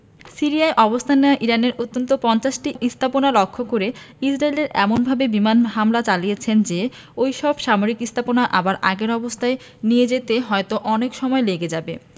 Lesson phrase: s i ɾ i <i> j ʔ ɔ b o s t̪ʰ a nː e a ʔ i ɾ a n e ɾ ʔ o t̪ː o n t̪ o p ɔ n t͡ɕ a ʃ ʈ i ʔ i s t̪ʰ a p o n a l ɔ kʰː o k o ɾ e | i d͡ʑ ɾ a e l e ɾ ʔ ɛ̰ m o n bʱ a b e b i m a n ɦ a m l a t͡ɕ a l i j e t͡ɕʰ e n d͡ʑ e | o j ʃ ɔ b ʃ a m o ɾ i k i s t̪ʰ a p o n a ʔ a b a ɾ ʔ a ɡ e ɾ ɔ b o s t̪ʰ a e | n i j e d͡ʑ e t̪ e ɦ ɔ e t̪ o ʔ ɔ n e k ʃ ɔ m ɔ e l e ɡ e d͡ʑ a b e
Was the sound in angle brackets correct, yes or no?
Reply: no